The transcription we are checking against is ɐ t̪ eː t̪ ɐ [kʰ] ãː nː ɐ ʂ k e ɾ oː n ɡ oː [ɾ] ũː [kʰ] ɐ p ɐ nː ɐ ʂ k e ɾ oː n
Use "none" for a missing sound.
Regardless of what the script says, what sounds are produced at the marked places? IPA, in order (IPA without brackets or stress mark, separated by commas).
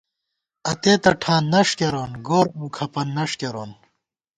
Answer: ʈʰ, ɾ, kʰ